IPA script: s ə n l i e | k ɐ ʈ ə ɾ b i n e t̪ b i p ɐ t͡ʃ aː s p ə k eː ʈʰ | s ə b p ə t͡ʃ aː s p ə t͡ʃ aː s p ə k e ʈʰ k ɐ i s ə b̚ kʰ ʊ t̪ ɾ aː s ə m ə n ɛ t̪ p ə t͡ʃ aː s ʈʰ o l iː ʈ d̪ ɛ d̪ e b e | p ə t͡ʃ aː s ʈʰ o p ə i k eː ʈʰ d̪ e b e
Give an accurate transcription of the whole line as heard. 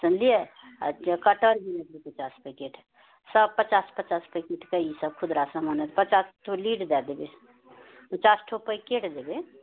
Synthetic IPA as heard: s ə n l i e | k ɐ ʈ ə ɾ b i n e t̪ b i p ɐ t͡ʃ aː s p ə k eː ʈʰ | s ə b p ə t͡ʃ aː s p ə t͡ʃ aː s p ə k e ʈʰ k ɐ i s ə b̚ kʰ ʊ d̪ ɾ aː s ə m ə n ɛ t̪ p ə t͡ʃ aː s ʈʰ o l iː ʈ d̪ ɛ d̪ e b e | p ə t͡ʃ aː s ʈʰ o p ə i k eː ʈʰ d̪ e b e

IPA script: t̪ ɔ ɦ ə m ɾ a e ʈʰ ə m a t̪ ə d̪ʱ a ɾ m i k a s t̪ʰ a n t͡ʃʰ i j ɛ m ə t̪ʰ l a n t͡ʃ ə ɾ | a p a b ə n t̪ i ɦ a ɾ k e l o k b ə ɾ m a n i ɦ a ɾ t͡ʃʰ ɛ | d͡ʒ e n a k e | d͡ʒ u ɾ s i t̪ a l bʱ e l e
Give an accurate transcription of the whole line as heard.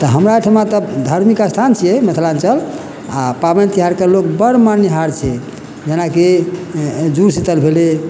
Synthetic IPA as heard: t̪ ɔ ɦ ə m ɾ a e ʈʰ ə m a t̪ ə d̪ʱ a ɾ m i k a s t̪ʰ a n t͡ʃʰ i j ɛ m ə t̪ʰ l a n t͡ʃ ə l | a p a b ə n t̪ i ɦ a ɾ k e l o k b ə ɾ m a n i ɦ a ɾ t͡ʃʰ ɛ | d͡ʒ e n a k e | d͡ʒ u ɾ s i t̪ ə l bʱ e l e

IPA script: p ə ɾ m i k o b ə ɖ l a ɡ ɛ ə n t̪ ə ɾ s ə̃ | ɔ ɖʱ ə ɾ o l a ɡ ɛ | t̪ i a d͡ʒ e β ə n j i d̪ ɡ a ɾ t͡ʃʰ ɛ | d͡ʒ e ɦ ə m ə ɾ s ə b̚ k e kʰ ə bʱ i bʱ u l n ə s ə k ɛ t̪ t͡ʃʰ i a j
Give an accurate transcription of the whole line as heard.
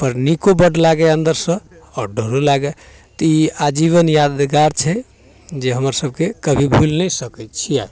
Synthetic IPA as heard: p ə ɾ n i k o b ə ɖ l a ɡ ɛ ə n d̪ ə ɾ s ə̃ | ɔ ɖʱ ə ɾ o l a ɡ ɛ | t̪ i a d͡ʒ i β ə n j a d̪ ɡ a ɾ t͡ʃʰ ɛ | d͡ʒ e ɦ ə m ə ɾ s ə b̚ k e k ə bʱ i bʱ u l n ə s ə k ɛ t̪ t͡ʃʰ i a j

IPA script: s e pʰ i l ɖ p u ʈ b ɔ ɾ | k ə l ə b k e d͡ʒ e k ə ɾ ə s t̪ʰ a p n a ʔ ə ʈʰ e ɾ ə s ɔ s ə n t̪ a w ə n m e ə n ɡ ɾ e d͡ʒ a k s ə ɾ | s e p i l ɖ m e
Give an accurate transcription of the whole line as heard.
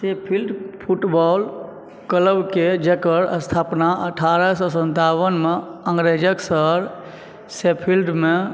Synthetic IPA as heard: s e pʰ i l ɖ pʰ u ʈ b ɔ l | k ə l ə b k e d͡ʒ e k ə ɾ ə s t̪ʰ a p n a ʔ ə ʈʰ a ɾ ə s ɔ s ə n t̪ a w ə n m e ə ŋ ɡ ɾ e d͡ʒ ə k s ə ɾ | s e pʰ i l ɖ m e

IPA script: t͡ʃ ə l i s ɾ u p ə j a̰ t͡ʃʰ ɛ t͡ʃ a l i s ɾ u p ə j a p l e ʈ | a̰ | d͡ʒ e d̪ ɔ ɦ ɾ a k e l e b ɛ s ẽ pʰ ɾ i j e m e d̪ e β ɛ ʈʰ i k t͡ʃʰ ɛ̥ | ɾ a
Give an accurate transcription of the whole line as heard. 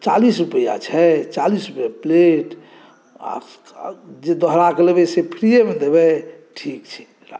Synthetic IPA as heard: t͡ʃ a l i s ɾ u p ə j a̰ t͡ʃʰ ɛ t͡ʃ a l i s ɾ u p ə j a p l e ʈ | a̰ | d͡ʒ e d̪ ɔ ɦ ɾ a k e l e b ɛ s e pʰ ɾ i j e m e d̪ e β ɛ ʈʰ i k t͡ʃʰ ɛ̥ | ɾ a

